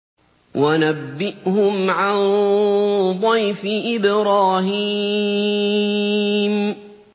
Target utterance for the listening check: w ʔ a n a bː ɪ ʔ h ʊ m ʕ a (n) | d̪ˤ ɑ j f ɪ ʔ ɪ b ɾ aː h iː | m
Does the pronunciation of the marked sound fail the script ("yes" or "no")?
no